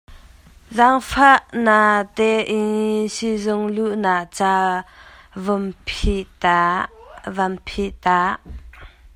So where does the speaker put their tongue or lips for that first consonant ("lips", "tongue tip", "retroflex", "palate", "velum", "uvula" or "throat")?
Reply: tongue tip